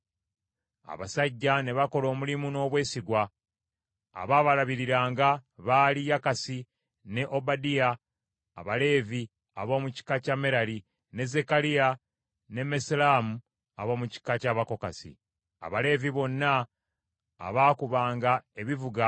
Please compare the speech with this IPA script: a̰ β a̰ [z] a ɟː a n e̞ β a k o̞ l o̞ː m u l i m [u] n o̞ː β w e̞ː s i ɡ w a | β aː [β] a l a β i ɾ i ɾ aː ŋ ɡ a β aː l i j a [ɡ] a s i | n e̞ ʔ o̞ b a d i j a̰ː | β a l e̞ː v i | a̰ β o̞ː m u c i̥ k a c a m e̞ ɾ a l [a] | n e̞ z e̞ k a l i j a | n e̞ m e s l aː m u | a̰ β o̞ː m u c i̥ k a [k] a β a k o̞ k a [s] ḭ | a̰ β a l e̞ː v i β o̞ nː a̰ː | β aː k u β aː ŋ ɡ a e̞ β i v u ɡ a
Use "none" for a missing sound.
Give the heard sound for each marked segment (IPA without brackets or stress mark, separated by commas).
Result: s, u, β, k, i, c, s